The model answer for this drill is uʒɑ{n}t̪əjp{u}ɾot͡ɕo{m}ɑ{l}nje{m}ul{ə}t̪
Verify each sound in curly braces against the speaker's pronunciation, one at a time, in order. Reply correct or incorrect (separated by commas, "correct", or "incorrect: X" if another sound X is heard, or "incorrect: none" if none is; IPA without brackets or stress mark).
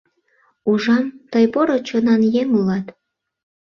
incorrect: m, incorrect: o, incorrect: n, incorrect: none, incorrect: ŋ, incorrect: ɑ